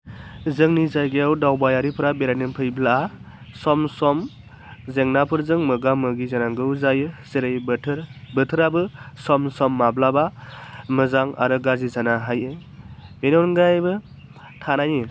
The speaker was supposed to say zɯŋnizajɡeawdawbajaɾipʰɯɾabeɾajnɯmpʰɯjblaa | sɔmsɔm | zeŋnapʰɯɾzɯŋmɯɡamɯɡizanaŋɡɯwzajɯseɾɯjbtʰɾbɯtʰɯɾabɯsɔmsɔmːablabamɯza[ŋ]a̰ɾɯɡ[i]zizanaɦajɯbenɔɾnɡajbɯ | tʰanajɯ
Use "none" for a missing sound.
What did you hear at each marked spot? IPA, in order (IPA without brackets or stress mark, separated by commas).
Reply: ŋ, a